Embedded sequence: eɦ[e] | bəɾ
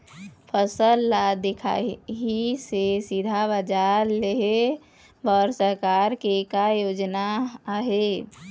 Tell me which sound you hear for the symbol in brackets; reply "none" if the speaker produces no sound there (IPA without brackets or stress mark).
e